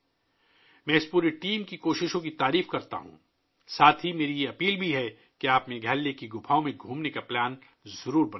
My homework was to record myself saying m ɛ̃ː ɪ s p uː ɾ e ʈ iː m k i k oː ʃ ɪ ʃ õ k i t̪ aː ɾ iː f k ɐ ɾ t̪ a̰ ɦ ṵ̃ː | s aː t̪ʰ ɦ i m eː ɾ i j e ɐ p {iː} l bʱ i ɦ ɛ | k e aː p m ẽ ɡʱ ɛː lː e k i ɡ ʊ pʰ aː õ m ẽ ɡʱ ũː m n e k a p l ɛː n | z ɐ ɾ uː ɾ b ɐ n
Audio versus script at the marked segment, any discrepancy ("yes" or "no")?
no